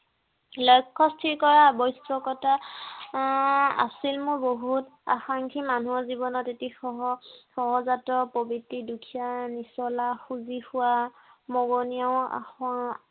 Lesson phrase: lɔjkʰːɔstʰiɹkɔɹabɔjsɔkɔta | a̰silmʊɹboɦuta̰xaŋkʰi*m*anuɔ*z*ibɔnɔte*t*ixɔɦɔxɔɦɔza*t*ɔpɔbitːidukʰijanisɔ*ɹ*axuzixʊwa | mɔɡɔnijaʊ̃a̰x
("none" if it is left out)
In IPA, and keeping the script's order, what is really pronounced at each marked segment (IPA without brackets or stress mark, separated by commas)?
m, z, t, t, l